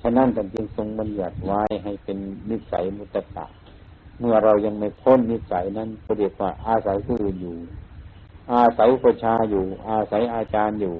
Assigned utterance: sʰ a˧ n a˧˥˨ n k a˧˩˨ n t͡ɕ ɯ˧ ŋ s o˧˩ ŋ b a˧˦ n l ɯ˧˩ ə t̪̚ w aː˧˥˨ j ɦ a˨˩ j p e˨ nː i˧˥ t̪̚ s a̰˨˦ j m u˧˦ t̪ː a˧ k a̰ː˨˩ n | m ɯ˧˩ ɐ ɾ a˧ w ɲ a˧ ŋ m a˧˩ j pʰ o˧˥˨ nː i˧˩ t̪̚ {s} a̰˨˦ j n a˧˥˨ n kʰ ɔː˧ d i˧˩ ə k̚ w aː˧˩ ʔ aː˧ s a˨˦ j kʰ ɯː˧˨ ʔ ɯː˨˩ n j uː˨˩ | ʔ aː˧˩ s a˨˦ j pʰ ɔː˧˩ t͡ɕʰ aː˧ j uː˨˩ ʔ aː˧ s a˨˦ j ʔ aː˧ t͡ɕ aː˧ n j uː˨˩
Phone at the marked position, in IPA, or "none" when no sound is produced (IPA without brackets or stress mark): s